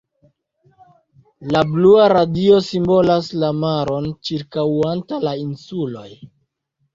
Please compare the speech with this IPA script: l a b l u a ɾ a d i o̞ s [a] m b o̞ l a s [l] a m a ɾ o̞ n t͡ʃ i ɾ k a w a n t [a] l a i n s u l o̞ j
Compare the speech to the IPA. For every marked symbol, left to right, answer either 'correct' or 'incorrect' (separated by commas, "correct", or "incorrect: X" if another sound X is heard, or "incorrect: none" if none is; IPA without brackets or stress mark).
incorrect: i, correct, correct